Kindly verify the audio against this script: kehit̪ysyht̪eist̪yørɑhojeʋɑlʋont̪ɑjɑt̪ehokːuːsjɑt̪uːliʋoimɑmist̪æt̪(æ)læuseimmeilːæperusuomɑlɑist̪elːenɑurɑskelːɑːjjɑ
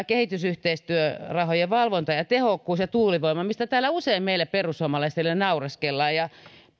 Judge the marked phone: incorrect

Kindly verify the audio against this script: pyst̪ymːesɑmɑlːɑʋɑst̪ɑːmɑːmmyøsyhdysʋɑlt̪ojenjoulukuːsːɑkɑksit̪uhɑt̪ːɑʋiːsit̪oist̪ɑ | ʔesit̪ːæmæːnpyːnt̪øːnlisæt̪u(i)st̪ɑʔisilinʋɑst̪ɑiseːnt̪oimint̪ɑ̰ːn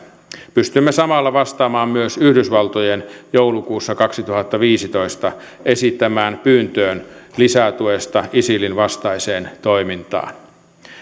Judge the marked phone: incorrect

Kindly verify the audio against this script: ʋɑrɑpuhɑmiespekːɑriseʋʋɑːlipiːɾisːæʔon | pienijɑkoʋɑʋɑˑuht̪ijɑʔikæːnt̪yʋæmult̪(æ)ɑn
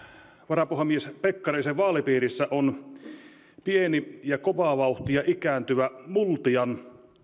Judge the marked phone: incorrect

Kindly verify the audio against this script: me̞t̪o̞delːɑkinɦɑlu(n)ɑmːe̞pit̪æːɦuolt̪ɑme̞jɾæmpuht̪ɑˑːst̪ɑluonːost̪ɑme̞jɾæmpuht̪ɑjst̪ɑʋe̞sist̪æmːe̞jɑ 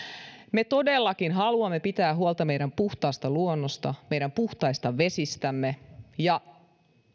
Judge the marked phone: incorrect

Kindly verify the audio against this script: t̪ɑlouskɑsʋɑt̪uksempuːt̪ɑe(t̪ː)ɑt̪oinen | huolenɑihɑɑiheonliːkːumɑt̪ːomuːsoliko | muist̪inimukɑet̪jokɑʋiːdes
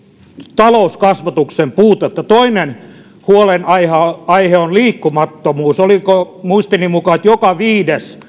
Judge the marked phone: correct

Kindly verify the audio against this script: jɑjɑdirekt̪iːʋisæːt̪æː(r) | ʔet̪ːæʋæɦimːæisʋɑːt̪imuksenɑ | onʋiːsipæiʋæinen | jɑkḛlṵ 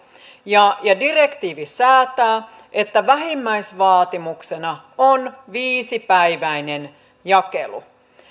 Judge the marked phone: incorrect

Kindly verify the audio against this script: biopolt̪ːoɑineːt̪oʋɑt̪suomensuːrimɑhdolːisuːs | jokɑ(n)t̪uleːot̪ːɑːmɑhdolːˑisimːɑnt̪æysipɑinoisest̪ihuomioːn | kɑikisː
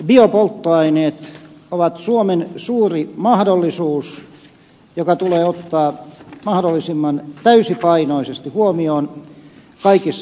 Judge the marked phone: incorrect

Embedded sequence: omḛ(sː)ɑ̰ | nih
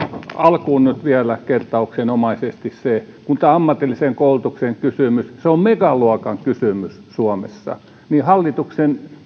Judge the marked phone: correct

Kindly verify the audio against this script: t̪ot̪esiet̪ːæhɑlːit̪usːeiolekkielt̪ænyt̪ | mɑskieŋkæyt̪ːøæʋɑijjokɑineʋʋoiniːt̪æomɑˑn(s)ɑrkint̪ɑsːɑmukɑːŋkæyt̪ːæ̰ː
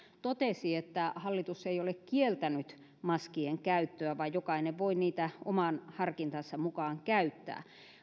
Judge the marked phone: incorrect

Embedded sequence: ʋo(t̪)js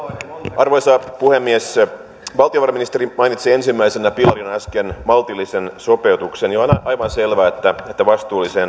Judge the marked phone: incorrect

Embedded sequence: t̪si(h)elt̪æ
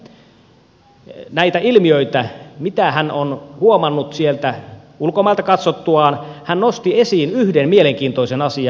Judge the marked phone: incorrect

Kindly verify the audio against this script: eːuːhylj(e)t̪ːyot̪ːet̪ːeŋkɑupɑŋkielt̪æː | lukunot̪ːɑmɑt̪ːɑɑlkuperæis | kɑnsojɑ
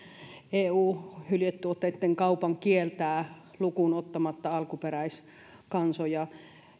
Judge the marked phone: correct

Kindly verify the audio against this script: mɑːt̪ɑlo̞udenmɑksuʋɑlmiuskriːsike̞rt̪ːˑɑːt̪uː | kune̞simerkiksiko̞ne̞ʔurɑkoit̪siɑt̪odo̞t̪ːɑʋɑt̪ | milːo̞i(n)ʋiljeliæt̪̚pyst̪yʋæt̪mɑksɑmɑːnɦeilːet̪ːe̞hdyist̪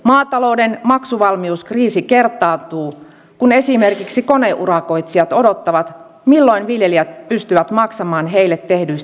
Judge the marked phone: correct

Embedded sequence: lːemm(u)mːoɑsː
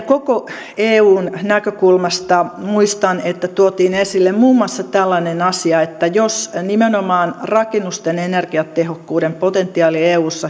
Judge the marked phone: incorrect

